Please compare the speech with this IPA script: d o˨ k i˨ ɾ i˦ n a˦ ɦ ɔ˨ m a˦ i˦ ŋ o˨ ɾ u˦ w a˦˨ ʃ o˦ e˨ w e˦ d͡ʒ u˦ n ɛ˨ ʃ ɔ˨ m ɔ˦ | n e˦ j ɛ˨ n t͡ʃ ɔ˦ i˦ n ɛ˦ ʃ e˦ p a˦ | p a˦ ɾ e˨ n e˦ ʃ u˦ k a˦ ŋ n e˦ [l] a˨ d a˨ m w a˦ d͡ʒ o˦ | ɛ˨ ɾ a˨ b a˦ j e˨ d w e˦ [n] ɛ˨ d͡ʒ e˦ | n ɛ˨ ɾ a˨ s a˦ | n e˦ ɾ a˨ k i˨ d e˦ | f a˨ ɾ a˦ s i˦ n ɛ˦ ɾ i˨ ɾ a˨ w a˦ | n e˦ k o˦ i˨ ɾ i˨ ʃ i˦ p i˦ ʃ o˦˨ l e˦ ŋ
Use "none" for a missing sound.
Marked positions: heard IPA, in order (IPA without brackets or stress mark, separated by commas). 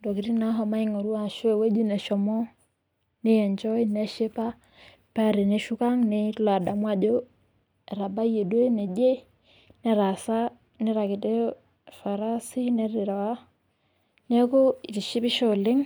l, n